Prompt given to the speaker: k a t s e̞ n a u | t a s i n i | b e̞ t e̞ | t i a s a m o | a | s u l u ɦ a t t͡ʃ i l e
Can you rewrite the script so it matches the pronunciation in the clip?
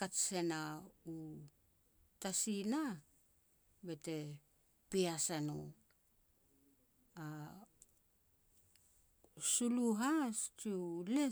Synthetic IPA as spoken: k a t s e̞ n a u | t a s i n a | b e̞ t e̞ | p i a s a n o | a | s u l u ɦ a s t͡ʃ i l e